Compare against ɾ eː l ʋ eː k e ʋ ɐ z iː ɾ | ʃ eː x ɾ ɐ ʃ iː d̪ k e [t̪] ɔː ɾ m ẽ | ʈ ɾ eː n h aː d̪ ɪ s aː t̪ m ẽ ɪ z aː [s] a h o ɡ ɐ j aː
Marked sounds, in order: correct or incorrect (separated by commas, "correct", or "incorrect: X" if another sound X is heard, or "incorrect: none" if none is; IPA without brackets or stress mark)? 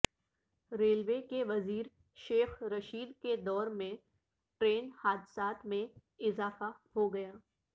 incorrect: d̪, incorrect: f